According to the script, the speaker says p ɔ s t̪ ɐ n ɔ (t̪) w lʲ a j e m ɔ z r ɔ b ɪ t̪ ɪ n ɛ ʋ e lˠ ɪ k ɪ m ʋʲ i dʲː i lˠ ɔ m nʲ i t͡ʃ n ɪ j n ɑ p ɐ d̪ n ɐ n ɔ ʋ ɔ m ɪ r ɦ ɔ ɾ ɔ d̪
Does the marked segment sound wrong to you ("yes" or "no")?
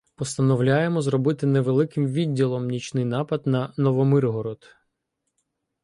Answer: yes